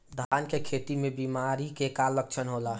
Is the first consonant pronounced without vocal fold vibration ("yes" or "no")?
no